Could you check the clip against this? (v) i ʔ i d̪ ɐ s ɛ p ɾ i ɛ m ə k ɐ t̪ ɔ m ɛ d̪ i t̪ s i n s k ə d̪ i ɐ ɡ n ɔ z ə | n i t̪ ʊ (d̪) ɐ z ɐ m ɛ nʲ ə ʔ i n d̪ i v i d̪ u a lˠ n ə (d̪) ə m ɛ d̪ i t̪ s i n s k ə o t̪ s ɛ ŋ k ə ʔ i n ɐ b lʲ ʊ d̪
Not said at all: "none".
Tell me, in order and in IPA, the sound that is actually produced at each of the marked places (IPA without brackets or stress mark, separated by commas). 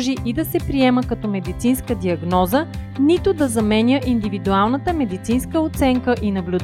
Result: ʒ, d̪, t̪